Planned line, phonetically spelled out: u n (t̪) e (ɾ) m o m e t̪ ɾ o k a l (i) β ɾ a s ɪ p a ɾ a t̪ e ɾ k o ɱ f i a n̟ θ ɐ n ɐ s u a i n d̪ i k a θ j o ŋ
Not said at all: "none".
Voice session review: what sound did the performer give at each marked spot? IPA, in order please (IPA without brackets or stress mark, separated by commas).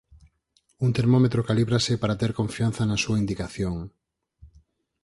t̪, ɾ, i